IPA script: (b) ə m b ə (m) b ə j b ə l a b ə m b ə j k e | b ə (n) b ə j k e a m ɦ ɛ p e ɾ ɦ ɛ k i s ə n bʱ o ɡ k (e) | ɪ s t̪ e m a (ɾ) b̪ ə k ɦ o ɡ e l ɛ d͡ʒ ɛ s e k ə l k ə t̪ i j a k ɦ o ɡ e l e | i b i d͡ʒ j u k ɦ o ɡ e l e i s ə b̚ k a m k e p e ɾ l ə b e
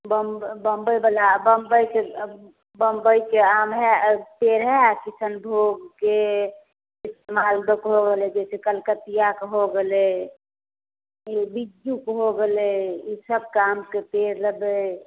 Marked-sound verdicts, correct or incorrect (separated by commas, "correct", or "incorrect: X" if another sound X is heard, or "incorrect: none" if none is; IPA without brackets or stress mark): correct, correct, incorrect: m, correct, incorrect: l